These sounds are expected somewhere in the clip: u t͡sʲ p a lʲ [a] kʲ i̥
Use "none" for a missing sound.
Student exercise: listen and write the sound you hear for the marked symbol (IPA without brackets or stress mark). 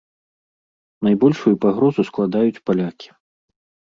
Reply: a